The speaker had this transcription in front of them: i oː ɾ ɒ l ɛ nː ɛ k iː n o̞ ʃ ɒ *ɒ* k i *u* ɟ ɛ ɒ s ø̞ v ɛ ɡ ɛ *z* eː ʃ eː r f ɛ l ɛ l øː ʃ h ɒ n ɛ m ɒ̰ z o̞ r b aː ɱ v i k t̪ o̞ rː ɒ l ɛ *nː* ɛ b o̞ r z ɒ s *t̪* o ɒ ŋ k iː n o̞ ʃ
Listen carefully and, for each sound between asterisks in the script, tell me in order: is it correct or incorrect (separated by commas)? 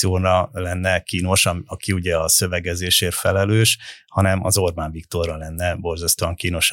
correct, correct, correct, correct, correct